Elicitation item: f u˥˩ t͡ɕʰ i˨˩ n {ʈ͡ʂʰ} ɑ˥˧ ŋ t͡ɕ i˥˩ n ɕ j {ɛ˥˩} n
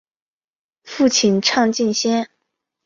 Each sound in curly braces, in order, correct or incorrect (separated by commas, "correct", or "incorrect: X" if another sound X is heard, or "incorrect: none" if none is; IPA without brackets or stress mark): correct, incorrect: ɛ˥